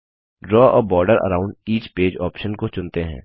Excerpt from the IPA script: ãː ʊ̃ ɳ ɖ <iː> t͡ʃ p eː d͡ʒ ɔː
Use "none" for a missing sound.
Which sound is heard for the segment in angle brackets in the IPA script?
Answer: iː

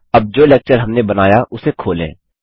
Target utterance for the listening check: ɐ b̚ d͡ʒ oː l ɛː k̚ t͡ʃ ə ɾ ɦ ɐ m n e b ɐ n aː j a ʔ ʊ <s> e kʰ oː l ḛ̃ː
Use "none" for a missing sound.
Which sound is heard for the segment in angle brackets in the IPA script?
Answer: s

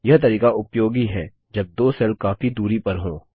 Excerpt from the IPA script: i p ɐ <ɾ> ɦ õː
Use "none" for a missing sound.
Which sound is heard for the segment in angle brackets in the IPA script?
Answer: ɾ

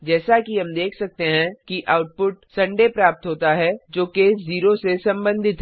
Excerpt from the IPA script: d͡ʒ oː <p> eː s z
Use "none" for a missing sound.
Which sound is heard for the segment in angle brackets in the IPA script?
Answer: k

